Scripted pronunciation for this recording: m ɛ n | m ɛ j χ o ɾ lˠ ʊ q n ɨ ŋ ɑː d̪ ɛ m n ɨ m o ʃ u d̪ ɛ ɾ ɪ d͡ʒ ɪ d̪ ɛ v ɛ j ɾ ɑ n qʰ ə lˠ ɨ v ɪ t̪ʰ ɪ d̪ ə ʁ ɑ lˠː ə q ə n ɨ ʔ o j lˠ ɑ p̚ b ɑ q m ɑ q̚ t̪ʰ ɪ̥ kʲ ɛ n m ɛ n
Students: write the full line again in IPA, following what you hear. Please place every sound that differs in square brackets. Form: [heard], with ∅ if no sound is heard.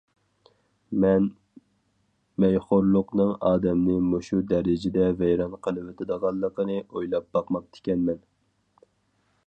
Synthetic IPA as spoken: m ɛ n | m ɛ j χ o ɾ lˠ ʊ q n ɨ ŋ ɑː d̪ ɛ m n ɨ m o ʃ u d̪ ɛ ɾ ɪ d͡ʒ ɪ d̪ ɛ v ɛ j ɾ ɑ n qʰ ə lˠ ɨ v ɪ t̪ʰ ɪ d̪ ə ʁ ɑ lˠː ə q ə n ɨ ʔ o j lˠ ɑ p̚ b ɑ q m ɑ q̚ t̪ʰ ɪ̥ kʲ ɛ n m ɛ n